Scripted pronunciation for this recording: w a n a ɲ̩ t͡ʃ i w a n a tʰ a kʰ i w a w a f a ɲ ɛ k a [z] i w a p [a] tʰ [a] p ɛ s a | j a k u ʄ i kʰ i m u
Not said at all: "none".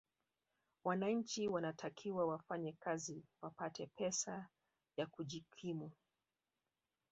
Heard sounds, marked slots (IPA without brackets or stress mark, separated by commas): z, a, ɛ